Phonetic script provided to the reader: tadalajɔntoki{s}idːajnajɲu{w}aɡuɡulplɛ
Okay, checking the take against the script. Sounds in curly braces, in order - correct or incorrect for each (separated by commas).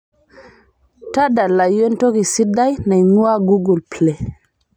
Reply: correct, correct